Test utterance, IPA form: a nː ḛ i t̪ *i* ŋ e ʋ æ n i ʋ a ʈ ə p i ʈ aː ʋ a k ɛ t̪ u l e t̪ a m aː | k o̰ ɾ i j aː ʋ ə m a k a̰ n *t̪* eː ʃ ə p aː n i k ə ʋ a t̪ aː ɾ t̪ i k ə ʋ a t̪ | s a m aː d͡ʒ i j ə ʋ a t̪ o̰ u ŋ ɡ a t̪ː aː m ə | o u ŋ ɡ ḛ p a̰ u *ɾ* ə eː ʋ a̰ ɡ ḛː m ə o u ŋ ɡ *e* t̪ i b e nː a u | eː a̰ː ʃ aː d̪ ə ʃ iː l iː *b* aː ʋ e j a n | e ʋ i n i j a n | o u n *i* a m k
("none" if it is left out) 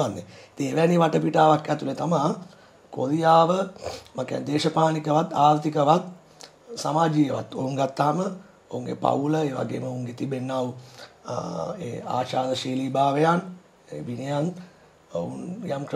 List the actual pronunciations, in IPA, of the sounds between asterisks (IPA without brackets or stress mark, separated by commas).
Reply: i, d̪, l, e, b, j